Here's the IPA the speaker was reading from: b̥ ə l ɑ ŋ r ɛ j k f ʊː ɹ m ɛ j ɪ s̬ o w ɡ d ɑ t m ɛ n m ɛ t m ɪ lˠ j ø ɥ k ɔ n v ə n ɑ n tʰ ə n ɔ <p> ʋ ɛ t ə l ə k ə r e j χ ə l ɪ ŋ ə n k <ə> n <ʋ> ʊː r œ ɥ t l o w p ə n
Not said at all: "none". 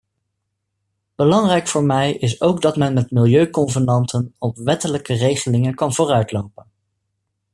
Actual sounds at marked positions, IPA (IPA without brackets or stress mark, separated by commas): p, ɑ, v